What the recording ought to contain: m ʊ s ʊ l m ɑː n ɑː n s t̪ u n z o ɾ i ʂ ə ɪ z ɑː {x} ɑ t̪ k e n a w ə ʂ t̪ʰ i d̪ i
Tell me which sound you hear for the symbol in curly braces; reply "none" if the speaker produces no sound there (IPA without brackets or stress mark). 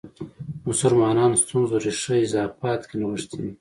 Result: f